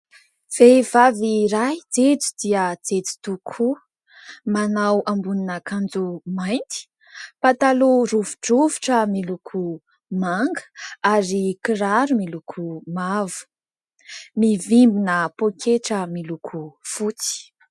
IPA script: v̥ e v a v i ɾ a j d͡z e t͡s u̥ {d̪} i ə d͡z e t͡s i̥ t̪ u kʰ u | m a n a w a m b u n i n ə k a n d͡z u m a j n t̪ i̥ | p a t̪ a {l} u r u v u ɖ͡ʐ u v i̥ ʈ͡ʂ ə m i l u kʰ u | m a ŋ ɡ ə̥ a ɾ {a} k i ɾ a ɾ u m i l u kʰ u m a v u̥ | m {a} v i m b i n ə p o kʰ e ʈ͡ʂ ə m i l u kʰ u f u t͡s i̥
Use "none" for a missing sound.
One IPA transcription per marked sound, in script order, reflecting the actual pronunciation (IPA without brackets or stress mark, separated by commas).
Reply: d̪, l, i, i